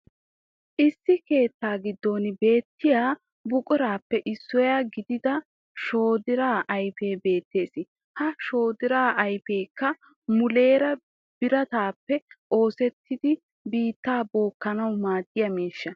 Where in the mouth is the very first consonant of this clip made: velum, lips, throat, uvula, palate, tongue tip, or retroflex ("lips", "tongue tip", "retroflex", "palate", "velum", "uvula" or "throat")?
throat